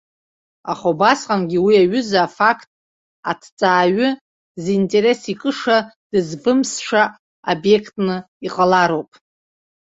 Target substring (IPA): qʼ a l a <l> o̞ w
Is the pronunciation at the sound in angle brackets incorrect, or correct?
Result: incorrect: ɾ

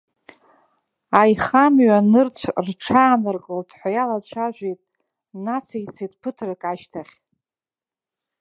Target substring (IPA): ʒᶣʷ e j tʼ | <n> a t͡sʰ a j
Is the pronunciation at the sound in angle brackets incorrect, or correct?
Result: correct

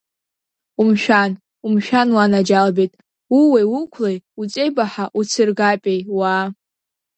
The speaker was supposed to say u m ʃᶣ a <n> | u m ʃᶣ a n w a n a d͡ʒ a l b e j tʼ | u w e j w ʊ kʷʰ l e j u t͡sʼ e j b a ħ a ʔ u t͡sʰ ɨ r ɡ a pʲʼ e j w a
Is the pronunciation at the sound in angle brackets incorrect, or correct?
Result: correct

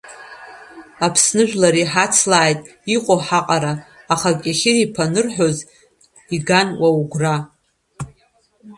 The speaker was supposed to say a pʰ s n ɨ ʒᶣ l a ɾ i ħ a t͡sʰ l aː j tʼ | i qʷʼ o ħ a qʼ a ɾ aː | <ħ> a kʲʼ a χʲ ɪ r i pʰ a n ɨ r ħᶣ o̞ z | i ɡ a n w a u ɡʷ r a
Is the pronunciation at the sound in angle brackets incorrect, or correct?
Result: incorrect: χ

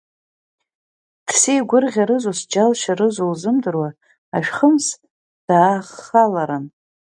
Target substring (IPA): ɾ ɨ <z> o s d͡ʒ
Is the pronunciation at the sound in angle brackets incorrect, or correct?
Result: correct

